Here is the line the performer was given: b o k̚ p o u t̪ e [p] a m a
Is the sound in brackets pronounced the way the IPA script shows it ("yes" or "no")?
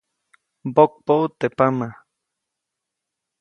yes